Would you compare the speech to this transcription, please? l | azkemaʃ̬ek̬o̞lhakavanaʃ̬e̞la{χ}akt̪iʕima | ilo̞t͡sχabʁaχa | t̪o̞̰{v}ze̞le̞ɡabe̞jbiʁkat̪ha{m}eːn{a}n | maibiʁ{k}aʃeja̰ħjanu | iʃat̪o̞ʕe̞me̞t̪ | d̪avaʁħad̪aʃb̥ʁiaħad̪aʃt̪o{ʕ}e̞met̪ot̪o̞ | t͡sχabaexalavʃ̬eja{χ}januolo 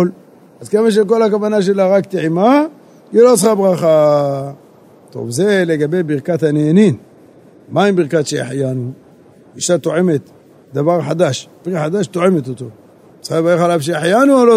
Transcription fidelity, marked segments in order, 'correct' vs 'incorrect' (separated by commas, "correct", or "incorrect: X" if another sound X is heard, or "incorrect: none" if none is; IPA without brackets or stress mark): incorrect: ʁ, correct, incorrect: n, incorrect: i, correct, correct, incorrect: ħ